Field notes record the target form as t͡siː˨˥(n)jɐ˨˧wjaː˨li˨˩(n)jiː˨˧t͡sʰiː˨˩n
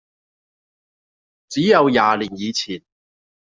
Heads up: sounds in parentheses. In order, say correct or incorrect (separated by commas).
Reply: incorrect, correct